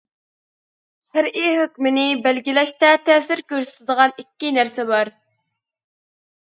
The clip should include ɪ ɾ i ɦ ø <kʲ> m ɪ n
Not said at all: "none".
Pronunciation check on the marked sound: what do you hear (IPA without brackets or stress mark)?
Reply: kʲ